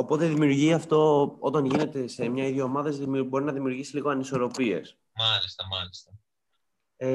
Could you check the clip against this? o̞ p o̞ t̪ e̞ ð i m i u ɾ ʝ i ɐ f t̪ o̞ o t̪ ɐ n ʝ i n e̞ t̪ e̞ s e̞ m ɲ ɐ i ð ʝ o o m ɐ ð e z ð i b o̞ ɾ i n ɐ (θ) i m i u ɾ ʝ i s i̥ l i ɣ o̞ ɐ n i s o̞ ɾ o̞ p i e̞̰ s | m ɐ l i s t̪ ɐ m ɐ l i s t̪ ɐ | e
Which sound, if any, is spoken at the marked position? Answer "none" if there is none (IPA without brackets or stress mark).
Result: ð